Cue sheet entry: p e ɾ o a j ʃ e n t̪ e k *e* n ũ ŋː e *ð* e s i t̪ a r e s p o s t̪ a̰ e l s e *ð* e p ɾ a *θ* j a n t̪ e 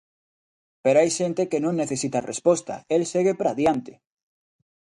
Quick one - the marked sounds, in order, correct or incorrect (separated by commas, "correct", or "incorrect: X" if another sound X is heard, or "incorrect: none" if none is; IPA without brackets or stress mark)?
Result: correct, incorrect: θ, incorrect: ɣ, incorrect: ð